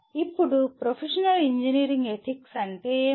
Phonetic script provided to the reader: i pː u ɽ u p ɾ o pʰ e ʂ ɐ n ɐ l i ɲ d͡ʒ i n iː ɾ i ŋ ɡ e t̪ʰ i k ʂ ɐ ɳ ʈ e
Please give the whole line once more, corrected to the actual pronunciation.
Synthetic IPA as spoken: i pː u ɽ u p ɾ o pʰ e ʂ ɐ n ɐ l i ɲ d͡ʒ i n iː ɾ i ŋ ɡ e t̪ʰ i k s ɐ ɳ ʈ e